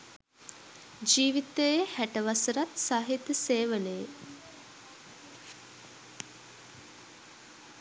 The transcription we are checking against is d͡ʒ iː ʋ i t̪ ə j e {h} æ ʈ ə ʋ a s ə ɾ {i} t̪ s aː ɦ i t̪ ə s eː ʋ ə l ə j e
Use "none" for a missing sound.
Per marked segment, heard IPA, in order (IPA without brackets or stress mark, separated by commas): h, a